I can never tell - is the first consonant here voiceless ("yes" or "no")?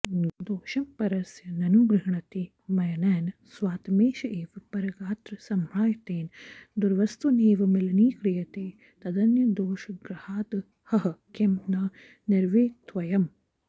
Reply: no